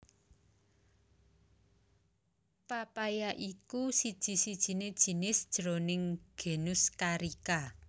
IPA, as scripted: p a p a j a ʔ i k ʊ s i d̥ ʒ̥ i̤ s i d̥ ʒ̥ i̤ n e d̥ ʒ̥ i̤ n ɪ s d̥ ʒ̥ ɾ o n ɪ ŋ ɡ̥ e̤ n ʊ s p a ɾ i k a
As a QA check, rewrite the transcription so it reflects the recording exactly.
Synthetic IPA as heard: p a p a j a ʔ i k u s i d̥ ʒ̥ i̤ s i d̥ ʒ̥ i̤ n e d̥ ʒ̥ i̤ n ɪ s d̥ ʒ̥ ɾ o n ɪ ŋ ɡ̥ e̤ n ʊ s k a ɾ i k a

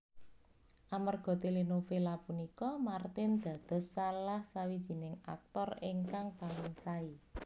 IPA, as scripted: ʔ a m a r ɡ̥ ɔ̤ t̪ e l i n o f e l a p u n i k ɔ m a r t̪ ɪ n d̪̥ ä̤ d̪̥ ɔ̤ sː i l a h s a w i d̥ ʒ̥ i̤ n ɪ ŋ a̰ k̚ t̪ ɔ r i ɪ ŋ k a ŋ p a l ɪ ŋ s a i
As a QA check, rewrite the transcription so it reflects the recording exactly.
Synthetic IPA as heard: ʔ a m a r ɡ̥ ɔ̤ t̪ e l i n o f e l a p u n i k ɔ m a r t̪ ɪ n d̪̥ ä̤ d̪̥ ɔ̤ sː a l a h s a w i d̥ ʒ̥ i̤ n ɪ ŋ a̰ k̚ t̪ ɔ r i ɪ ŋ k a ŋ p a l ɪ ŋ s a i

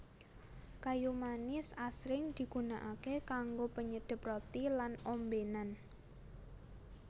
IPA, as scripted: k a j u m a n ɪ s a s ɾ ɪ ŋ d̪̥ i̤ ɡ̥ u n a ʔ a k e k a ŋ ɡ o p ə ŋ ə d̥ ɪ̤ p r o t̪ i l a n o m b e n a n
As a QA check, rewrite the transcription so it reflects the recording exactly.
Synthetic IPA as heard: k a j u m a n ɪ s a s ɾ ɪ ŋ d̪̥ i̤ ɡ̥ u n a ʔ a k e k a ŋ ɡ o p ə ɲ ə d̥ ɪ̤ p r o t̪ i l a n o m b e n a n

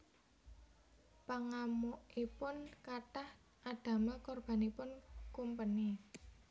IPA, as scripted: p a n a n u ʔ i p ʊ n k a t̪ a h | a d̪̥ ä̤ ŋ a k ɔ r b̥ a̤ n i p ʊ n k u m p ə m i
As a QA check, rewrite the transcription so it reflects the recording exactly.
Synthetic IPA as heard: p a ŋ a m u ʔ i p ʊ n k a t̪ a h | a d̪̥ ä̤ m a k ɔ r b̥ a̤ n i p ʊ n k u m p ə n i

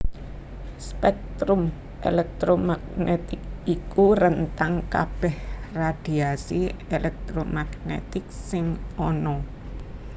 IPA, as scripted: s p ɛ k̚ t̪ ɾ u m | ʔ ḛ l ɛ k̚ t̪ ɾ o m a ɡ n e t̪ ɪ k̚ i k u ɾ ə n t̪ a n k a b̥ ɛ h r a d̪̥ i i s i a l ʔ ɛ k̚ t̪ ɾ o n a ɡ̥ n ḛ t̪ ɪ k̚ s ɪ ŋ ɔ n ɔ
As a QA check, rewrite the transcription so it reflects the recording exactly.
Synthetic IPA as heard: s p ɛ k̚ t̪ ɾ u m | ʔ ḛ l ɛ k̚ t̪ ɾ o m a ɡ n e t̪ ɪ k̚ i k u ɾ ə n t̪ a ŋ k a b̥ ɛ h r a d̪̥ i a s i e l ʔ ɛ k̚ t̪ ɾ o m a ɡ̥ n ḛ t̪ ɪ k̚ s ɪ ŋ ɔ n ɔ

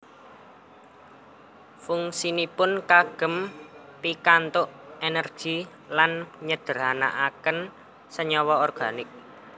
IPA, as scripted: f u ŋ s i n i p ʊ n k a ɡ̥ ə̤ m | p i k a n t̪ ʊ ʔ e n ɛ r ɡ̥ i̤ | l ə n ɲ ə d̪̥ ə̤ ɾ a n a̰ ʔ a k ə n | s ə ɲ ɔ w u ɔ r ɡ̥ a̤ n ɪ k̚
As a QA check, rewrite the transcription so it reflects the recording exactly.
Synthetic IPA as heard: f u ŋ s i n i p ʊ n k a ɡ̥ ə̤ m | p i k a n t̪ ʊ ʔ e n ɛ r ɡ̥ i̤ | l a n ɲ ə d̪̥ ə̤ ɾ a n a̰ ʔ a k ə n | s ə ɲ ɔ w ɔ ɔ r ɡ̥ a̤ n ɪ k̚

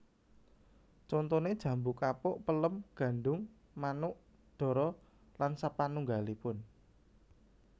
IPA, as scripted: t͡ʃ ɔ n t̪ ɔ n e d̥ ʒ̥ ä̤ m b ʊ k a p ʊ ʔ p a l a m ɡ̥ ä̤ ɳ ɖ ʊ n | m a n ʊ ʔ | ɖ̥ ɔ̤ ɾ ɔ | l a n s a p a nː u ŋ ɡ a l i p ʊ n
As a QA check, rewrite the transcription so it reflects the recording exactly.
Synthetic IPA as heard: t͡ʃ ɔ n t̪ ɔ n e d̥ ʒ̥ ä̤ m b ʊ k a p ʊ ʔ p ə l ə m ɡ̥ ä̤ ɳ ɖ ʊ ŋ | m a n ʊ ʔ | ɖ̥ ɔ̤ ɾ ɔ | l a n s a p a n u ŋ ɡ a l i p ʊ n

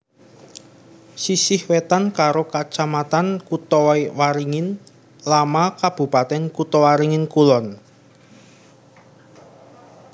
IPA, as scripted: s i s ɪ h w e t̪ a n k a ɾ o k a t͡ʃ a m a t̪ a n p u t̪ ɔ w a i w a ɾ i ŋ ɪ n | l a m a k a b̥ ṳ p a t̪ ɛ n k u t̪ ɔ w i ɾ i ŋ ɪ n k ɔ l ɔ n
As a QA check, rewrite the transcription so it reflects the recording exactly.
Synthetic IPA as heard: s i s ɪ h w e t̪ a n k a ɾ o k a t͡ʃ a m a t̪ a n k u t̪ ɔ w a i w a ɾ i ŋ ɪ n | l a m a k a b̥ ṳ p a t̪ ɛ n k u t̪ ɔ w a ɾ i ŋ ɪ n k u l ɔ n

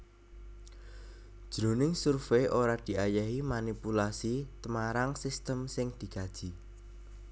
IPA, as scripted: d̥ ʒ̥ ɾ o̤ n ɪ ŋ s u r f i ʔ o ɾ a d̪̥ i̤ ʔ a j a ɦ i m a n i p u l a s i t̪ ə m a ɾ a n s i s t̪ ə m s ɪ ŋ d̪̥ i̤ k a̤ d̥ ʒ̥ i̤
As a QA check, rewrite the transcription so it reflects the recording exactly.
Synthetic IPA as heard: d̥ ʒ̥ ɾ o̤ n ɪ ŋ s u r f e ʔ o ɾ a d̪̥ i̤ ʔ a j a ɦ i m a n i p u l a s i t̪ ə m a ɾ a ŋ s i s t̪ ə m s ɪ ŋ d̪̥ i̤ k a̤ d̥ ʒ̥ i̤

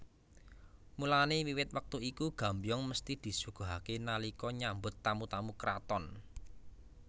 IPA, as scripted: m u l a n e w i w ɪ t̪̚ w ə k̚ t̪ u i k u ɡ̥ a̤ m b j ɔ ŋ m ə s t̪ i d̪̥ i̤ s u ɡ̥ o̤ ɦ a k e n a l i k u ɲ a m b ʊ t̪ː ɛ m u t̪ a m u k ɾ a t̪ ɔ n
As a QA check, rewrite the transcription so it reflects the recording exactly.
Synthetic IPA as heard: m u l a n e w i w ɪ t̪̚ w ə k̚ t̪ u i k u ɡ̥ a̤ m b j ɔ ŋ m ə s t̪ i d̪̥ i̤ s u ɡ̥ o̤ ɦ a k e n a l i k ɔ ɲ a m b ʊ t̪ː a m u t̪ a m u k ɾ a t̪ ɔ n

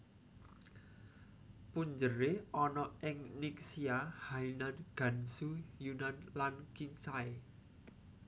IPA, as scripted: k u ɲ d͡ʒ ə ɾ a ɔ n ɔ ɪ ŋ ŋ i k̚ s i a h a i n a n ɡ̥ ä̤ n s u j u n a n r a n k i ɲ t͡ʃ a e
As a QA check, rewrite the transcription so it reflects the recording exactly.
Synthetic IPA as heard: p u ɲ d͡ʒ ə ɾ e ɔ n ɔ ɪ ŋ n i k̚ s i a h a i n a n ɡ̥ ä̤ n s u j u n a n l a n k i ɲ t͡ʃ a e

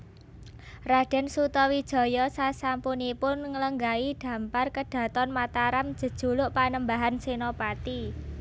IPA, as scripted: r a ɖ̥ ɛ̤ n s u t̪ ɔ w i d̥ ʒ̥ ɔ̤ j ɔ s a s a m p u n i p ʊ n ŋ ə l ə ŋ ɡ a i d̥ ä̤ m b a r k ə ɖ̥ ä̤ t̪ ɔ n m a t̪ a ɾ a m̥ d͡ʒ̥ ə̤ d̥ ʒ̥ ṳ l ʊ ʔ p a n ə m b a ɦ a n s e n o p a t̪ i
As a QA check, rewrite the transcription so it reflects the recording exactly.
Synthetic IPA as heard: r a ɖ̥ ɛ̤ n s u t̪ ɔ w i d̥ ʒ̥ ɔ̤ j ɔ s a s a m p u n i p ʊ n ŋ ə l ə ŋ ɡ a i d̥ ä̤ m p a r k ə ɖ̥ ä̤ t̪ ɔ n m a t̪ a ɾ a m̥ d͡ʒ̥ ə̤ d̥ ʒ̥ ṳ l ʊ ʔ p a n ə m b a ɦ a n s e n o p a t̪ i

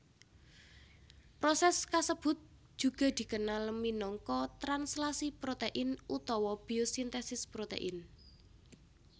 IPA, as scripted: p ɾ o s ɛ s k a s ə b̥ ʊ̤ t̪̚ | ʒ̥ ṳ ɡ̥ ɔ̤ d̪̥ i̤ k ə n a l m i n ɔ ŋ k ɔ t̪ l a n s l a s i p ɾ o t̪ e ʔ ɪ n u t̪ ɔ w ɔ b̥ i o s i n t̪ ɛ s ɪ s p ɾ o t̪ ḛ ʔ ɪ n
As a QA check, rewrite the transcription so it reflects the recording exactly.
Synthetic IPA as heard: p ɾ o s ɛ s k a s ə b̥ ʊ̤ t̪̚ | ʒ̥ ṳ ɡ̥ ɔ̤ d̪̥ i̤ k ə n a l m i n ɔ ŋ k ɔ t̪ ɾ a n s l a s i p ɾ o t̪ e ʔ ɪ n u t̪ ɔ w ɔ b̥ i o s i n t̪ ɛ s ɪ s p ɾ o t̪ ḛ ʔ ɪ n

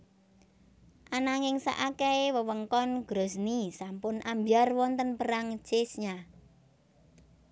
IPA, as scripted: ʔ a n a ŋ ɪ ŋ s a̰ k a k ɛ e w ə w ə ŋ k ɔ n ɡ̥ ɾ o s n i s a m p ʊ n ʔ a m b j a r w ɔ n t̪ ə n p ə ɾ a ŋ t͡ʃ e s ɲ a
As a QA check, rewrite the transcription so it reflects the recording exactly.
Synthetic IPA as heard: ʔ a n a ŋ ɪ ŋ s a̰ ʔ a k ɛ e w ə w ə ŋ k ɔ n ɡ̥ ɾ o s n i s a m p ʊ n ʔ a m b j a r w ɔ n t̪ ə n p ə ɾ a ŋ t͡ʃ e s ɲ a

